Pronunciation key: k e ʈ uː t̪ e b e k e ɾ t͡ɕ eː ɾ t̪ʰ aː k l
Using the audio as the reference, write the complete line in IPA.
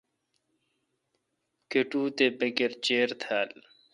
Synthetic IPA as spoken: k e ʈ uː t̪ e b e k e ɾ t͡ɕ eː ɾ t̪ʰ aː l